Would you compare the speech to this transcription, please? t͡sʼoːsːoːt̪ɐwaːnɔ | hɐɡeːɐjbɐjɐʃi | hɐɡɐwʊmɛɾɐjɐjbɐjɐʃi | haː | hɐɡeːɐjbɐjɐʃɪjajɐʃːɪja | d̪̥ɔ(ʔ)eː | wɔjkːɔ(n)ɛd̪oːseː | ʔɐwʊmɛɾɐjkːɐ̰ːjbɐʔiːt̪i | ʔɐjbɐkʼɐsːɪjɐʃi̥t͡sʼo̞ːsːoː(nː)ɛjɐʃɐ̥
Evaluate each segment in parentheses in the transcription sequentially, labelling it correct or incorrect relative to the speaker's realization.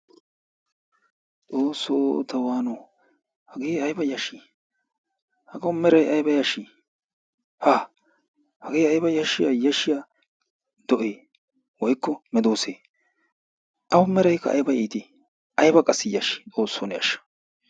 correct, incorrect: m, incorrect: n

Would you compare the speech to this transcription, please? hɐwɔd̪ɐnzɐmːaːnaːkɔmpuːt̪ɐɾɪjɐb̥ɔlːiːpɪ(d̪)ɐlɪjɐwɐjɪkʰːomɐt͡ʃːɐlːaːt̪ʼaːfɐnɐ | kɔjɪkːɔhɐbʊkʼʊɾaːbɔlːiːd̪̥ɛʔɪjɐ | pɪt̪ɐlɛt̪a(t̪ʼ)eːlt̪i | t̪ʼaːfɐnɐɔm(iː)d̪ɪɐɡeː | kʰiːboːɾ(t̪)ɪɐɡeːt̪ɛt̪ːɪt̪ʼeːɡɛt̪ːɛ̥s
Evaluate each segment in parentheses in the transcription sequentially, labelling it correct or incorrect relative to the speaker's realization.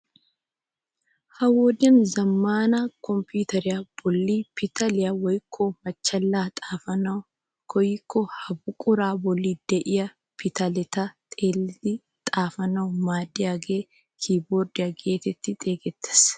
incorrect: t̪, correct, incorrect: aː, incorrect: d̪

